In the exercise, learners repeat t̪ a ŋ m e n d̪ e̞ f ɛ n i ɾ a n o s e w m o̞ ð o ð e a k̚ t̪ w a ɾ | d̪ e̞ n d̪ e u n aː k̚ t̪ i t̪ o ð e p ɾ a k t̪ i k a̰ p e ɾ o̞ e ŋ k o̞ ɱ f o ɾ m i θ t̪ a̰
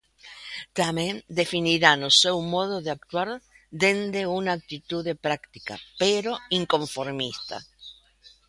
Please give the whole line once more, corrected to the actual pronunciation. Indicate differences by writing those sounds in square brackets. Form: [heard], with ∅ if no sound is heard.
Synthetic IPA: t̪ a [∅] m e n d̪ e̞ f [i] n i ɾ a n o s e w m o̞ ð o ð e a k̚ t̪ w a ɾ | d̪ e̞ n d̪ e u n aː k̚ t̪ i t̪ [u] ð e p ɾ a k t̪ i k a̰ p e ɾ o̞ [i] ŋ k o̞ ɱ f o ɾ m i [s] t̪ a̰